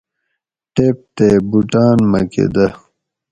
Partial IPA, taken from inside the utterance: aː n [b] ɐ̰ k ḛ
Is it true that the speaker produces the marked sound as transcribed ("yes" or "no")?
no